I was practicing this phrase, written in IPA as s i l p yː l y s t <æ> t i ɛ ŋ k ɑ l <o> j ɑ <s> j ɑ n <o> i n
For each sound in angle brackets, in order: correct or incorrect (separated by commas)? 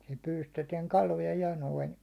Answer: incorrect, correct, incorrect, correct